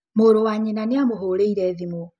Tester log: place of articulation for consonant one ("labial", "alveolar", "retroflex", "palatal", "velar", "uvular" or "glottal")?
labial